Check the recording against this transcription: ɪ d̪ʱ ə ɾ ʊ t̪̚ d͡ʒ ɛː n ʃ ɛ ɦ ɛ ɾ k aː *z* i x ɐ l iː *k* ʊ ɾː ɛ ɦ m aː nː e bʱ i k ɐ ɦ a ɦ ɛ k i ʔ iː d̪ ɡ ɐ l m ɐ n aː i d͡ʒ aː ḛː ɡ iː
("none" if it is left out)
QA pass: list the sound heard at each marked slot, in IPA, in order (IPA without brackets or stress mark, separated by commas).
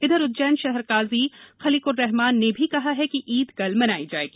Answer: z, k